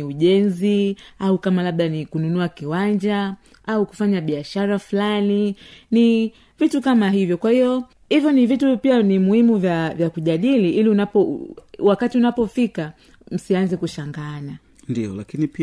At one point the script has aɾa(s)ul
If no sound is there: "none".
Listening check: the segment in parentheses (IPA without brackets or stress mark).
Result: f